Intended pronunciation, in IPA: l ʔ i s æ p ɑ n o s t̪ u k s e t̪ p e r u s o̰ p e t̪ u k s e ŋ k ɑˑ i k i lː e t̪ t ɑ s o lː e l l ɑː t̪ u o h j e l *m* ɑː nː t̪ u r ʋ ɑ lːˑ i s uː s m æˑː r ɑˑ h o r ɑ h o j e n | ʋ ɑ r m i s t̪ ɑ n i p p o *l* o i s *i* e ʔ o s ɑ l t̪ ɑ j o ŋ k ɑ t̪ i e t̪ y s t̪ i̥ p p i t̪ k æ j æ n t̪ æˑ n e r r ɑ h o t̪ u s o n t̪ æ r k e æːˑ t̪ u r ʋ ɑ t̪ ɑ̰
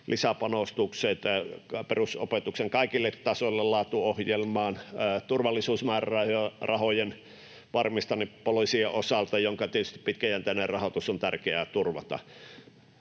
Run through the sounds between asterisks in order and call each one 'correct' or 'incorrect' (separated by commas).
correct, correct, correct